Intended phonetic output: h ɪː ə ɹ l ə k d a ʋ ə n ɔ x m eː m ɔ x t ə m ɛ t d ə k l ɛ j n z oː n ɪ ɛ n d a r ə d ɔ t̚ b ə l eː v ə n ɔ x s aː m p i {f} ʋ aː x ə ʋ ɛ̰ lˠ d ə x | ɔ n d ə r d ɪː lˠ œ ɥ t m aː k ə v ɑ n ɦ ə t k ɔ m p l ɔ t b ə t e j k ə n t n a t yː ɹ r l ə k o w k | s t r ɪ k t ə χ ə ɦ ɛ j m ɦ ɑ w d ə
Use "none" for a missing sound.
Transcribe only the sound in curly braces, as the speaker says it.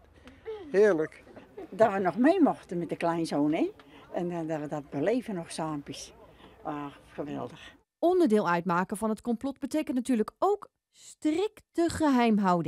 s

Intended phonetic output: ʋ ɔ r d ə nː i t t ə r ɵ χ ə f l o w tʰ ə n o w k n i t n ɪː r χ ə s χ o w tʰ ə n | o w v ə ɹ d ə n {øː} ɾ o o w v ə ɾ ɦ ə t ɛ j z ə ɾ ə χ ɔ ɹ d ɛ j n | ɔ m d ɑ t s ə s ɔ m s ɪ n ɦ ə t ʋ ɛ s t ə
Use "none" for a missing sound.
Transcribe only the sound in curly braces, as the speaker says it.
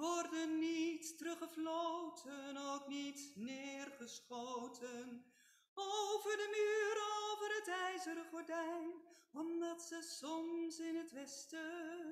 yː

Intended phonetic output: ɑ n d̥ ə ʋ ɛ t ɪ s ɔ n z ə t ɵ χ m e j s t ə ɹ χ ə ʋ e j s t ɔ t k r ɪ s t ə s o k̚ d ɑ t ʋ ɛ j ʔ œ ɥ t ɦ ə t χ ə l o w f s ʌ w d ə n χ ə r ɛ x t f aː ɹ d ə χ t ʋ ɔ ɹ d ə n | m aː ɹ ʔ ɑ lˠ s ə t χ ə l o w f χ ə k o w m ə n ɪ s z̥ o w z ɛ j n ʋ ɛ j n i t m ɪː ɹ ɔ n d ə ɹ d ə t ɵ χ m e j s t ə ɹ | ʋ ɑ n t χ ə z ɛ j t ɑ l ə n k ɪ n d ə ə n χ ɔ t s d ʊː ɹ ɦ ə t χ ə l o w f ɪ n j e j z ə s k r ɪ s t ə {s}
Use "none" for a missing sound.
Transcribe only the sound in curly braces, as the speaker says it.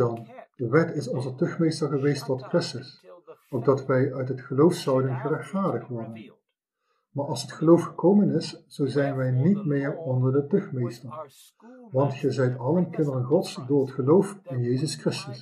s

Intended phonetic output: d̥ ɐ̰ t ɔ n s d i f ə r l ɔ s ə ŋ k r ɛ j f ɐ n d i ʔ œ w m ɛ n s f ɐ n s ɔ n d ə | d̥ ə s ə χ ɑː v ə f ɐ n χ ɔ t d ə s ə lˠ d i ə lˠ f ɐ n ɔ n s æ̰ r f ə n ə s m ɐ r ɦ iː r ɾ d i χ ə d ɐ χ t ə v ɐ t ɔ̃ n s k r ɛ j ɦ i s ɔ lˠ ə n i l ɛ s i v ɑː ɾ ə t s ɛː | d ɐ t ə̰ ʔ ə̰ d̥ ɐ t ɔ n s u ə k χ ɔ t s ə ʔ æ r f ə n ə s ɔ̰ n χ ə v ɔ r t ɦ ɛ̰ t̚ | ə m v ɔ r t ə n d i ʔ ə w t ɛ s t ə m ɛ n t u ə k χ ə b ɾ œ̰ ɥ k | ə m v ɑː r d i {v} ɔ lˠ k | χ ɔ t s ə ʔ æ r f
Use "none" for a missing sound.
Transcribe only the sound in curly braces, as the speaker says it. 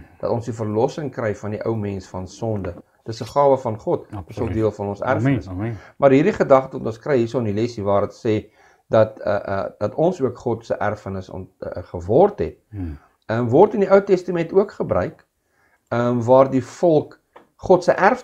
f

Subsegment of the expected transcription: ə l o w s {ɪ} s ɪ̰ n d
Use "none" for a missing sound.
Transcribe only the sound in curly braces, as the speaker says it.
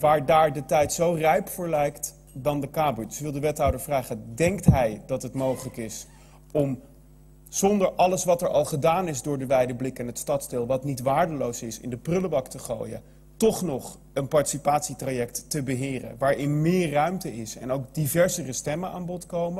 ɪ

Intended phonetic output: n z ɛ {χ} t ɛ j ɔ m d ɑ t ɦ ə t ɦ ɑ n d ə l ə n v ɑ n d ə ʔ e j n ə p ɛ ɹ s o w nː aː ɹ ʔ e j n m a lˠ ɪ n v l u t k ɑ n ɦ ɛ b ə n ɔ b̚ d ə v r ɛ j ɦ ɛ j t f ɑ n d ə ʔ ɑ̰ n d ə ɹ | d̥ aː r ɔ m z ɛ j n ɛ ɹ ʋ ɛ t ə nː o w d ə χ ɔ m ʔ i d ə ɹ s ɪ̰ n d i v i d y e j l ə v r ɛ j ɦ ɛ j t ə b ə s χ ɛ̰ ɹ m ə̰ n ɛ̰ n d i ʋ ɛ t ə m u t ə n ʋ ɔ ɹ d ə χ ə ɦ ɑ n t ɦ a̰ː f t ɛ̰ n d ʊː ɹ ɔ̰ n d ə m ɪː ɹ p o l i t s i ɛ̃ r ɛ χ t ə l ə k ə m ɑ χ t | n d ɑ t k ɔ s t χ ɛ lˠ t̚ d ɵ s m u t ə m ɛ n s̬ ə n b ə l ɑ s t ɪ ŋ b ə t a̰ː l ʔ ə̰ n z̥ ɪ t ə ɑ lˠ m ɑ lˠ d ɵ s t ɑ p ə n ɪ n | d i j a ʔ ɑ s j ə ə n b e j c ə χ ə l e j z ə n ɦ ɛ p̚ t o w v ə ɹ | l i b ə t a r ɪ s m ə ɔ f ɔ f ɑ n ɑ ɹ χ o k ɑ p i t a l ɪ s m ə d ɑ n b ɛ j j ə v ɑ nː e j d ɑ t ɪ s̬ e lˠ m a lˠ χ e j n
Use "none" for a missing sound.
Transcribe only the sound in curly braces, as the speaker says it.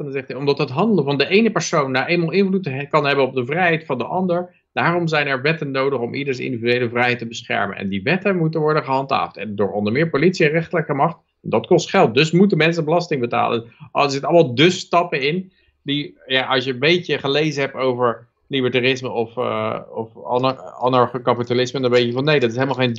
χ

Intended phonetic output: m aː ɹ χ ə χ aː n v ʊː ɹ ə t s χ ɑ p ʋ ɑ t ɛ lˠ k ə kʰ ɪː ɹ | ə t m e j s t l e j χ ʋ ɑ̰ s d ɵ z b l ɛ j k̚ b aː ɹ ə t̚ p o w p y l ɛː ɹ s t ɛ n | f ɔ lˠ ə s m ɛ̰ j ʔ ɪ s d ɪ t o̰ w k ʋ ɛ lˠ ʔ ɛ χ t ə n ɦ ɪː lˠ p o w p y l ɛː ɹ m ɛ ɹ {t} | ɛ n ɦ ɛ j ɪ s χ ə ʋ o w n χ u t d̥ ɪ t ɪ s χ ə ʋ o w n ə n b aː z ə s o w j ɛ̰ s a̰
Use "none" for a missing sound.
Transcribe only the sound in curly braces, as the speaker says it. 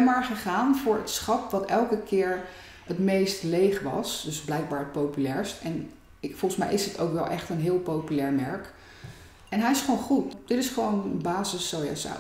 k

